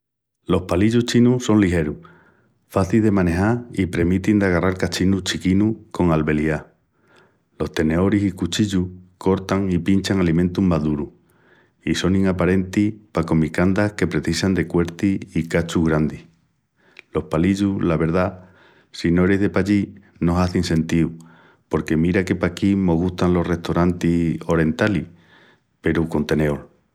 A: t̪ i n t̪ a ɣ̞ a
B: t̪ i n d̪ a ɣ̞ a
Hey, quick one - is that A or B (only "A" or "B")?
B